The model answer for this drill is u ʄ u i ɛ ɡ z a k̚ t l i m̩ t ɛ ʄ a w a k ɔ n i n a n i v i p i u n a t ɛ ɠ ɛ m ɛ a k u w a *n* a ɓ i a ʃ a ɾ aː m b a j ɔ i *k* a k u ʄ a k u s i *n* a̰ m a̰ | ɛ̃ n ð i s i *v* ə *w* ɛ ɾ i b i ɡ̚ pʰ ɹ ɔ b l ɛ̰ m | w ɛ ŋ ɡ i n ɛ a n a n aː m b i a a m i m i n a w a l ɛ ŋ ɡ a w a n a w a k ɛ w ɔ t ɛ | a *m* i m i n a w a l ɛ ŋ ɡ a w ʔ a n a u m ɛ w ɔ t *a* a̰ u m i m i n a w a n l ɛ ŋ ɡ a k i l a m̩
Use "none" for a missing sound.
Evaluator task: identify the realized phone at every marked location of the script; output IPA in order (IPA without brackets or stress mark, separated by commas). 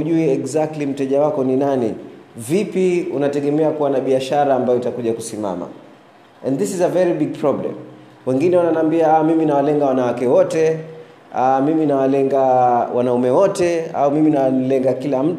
n, t, m, z, v, m, ɛ